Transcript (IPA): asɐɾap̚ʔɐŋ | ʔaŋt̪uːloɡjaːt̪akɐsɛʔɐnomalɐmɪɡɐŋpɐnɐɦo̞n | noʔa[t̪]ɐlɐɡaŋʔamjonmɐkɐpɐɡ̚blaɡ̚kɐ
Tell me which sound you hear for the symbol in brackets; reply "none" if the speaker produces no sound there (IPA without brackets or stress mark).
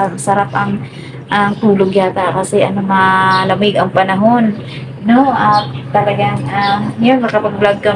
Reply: t̪